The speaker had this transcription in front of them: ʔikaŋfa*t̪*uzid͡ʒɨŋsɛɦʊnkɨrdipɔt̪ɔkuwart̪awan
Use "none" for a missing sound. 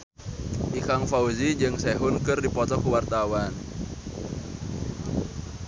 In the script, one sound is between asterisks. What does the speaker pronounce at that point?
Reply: none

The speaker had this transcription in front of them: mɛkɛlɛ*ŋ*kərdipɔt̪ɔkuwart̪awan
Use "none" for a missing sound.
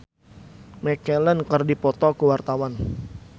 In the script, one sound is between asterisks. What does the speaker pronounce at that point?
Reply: n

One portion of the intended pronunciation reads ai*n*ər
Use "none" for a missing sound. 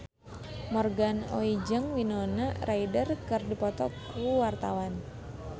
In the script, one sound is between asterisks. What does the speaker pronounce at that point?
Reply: d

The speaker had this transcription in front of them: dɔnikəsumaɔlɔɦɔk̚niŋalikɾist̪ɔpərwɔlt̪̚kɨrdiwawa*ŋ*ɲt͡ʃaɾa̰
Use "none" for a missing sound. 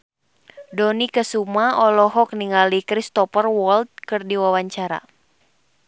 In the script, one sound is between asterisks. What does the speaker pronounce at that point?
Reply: none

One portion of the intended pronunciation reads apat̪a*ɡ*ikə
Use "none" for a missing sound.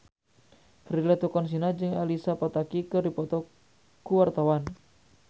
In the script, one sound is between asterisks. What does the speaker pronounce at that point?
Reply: k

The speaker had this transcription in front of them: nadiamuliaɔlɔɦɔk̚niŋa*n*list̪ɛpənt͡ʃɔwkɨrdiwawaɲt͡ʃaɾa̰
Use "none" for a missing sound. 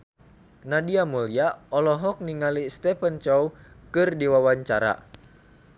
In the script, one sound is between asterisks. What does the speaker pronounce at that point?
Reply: none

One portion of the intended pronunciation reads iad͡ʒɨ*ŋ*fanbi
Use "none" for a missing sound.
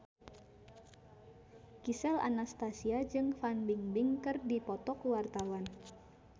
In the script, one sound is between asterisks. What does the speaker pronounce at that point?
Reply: ŋ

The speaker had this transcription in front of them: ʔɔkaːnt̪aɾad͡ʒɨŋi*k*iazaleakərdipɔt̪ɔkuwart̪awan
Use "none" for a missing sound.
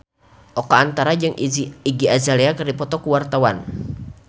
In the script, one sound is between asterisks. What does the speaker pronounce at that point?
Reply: ɡ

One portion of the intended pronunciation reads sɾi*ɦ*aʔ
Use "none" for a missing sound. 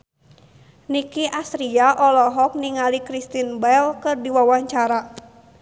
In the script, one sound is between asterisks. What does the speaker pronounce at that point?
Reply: none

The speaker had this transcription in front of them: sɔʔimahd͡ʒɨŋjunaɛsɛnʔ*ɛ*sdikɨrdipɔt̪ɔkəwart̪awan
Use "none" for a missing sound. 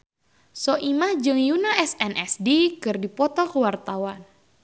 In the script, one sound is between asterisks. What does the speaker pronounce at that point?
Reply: ɛ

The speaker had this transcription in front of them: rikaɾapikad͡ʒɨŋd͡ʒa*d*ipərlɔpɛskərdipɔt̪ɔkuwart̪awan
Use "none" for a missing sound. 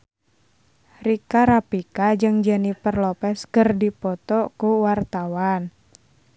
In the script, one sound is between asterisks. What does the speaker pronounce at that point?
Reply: n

